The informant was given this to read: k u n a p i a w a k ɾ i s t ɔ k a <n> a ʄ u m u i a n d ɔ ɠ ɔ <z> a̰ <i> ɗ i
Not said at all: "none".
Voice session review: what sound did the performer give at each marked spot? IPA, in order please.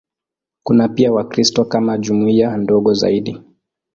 m, z, i

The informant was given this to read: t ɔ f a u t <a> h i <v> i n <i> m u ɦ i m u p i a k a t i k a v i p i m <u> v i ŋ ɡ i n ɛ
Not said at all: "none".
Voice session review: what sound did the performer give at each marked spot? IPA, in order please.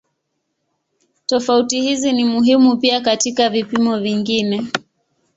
i, z, i, ɔ

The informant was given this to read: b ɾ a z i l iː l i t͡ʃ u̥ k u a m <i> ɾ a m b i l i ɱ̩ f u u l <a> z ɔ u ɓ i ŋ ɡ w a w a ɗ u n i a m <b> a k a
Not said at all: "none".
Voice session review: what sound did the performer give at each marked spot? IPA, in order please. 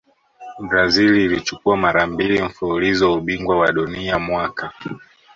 a, i, w

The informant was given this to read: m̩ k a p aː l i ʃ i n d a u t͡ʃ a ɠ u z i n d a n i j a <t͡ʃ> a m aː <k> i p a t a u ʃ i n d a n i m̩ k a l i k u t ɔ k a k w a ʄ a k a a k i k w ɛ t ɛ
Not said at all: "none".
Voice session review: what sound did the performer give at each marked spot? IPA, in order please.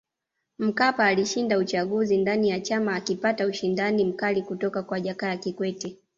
t͡ʃ, k

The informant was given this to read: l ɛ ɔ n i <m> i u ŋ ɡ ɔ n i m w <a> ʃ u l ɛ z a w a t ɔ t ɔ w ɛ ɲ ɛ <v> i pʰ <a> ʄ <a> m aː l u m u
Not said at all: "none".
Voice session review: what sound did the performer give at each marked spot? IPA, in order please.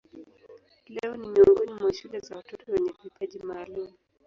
m, a, v, a, i

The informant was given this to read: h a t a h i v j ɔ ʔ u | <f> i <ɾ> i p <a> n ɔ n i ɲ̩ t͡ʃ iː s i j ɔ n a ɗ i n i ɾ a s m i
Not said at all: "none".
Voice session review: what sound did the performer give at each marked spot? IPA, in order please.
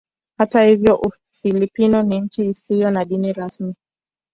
f, l, i

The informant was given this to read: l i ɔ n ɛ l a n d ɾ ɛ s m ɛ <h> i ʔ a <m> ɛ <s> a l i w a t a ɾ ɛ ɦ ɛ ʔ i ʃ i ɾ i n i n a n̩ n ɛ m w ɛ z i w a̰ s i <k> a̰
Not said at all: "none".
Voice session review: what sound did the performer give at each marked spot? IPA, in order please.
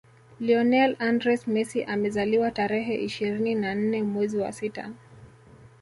s, m, z, t

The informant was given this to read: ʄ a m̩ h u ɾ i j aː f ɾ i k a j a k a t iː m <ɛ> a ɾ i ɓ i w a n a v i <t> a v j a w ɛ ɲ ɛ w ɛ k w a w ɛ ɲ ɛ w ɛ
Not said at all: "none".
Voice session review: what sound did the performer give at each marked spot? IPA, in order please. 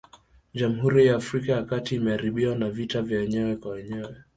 ɛ, t

